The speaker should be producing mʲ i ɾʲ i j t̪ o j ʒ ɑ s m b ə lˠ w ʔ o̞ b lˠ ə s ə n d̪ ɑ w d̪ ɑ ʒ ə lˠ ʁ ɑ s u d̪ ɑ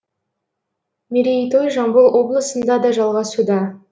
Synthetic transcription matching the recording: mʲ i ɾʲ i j t̪ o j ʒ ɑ m b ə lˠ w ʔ o̞ b lˠ ə s ə n d̪ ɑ d̪ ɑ ʒ ɑ lˠ ʁ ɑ s u d̪ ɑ